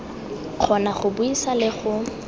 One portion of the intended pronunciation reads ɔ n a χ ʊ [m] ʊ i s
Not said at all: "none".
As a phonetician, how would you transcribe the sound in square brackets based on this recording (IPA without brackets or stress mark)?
b